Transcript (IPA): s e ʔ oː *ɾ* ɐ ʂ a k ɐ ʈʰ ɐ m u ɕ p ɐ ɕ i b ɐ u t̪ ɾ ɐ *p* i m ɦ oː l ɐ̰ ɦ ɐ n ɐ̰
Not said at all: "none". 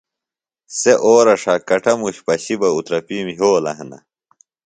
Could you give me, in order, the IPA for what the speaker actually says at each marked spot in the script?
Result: ɾ, p

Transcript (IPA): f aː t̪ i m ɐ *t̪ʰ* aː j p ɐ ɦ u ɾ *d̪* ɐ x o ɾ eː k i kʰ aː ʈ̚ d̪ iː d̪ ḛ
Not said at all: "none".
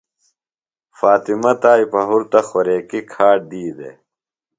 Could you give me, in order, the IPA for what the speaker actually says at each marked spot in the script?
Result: t̪, t̪

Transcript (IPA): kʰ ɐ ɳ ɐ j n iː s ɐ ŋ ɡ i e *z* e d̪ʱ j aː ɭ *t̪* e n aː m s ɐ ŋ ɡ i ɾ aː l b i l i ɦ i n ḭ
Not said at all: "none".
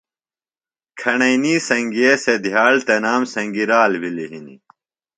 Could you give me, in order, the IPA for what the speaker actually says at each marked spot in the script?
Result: s, t̪

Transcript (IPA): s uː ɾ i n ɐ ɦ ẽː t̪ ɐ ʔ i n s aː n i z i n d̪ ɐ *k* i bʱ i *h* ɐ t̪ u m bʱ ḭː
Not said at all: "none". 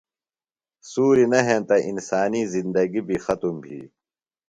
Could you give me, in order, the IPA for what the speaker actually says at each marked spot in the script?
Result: ɡ, x

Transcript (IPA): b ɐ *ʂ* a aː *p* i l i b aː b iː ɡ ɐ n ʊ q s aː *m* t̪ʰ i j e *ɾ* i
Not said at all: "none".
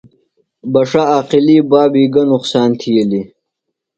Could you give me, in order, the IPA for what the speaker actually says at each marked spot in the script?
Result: ʂ, q, n, l

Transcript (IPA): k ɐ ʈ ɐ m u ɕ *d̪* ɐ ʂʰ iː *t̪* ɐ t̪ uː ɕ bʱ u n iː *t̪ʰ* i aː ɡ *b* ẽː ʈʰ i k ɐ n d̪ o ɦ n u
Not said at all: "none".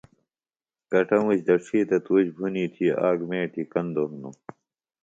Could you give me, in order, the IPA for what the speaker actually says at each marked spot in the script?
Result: d̪, t̪, t̪ʰ, m

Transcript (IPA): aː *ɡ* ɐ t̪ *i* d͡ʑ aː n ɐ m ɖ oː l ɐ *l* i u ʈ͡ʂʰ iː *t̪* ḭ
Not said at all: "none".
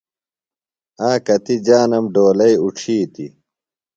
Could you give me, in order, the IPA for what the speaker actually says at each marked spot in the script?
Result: k, i, none, t̪

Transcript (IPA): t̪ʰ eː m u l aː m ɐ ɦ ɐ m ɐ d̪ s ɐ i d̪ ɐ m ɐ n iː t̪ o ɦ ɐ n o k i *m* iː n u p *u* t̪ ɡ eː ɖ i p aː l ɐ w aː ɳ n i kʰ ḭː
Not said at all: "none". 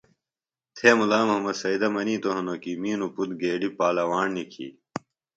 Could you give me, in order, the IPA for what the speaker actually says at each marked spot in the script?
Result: m, u

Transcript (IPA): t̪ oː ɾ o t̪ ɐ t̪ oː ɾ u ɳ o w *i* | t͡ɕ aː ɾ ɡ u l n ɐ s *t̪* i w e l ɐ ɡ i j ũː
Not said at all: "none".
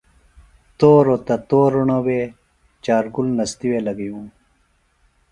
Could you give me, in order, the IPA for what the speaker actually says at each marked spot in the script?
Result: e, t̪

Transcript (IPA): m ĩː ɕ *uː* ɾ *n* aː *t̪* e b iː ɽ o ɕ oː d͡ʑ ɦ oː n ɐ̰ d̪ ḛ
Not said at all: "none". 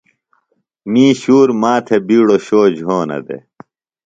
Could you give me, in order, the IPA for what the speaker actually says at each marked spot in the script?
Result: uː, m, t̪ʰ

